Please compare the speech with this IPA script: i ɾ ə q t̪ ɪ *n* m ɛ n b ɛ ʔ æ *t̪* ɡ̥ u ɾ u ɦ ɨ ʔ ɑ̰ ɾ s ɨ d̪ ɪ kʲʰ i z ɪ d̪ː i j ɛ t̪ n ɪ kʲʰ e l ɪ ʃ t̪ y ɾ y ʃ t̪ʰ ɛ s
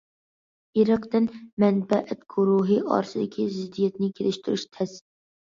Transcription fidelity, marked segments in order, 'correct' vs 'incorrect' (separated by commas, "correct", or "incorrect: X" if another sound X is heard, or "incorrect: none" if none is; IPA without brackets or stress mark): correct, correct